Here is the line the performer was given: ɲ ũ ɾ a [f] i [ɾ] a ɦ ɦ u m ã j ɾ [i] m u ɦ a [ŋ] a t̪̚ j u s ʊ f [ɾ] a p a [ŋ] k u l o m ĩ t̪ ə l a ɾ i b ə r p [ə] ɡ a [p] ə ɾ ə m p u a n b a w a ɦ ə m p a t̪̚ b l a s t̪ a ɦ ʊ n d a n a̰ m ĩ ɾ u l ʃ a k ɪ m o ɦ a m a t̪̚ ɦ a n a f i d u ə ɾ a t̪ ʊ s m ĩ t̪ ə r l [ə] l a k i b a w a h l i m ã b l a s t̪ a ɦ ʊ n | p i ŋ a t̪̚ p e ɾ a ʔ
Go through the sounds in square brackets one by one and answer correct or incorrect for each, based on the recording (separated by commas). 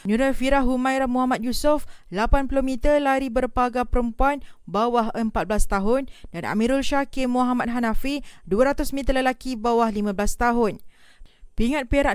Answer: correct, correct, incorrect, incorrect, incorrect, incorrect, incorrect, correct, correct